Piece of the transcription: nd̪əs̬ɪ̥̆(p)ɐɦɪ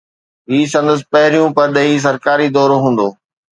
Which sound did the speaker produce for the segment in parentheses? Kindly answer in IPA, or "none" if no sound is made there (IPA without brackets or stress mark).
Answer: p